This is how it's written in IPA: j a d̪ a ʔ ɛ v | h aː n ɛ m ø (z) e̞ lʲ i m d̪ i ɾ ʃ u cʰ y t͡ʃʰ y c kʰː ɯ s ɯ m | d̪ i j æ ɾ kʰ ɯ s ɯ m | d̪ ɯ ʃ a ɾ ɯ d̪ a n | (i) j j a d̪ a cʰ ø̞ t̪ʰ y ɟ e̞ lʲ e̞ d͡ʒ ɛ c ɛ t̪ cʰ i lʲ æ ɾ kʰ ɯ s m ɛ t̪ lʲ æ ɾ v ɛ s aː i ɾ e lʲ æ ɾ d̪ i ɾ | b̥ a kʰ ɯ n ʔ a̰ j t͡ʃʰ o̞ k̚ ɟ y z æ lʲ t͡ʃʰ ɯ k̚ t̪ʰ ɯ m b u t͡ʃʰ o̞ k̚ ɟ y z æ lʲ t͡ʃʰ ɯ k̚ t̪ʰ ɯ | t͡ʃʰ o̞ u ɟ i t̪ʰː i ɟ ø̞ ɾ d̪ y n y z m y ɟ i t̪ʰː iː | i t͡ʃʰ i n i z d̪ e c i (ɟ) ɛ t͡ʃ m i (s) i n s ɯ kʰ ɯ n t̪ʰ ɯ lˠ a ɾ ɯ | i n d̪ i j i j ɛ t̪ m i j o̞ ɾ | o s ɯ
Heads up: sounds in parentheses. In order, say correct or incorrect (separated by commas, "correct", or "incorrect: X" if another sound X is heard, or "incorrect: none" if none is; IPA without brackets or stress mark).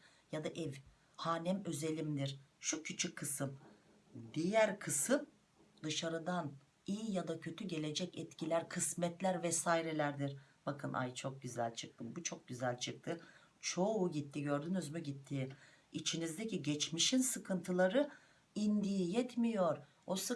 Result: correct, correct, correct, incorrect: ʃ